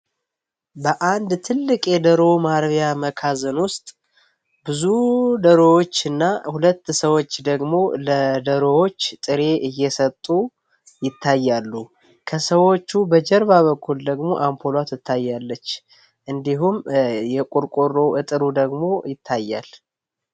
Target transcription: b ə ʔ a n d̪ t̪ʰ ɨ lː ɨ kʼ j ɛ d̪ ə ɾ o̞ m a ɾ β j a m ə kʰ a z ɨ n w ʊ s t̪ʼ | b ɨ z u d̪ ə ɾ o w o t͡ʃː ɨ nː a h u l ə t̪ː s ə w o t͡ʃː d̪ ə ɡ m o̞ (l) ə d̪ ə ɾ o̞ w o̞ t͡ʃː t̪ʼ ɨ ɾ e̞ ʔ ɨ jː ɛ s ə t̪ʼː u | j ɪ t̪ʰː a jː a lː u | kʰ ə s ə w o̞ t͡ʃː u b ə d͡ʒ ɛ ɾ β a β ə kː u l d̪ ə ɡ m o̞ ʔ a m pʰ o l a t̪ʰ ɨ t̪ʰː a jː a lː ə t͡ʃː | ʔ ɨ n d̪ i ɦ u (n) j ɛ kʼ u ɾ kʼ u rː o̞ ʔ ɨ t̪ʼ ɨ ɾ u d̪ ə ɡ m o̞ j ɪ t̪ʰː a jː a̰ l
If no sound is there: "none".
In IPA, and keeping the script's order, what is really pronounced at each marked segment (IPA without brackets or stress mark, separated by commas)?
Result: l, m